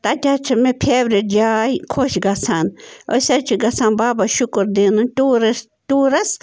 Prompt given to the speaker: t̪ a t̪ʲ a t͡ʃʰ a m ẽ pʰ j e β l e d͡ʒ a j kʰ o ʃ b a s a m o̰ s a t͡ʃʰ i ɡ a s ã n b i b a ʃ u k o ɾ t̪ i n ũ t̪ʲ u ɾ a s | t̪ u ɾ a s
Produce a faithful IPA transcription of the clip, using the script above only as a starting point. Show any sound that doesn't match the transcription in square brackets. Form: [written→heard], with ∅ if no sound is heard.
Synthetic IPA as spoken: t̪ a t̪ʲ a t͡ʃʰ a m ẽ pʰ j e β [l→ɾ] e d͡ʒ a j kʰ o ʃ [b→ɡ] a s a [m→n] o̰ s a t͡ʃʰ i ɡ a s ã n b [i→a] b a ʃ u k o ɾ [t̪→d̪] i n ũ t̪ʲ u ɾ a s | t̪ u ɾ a s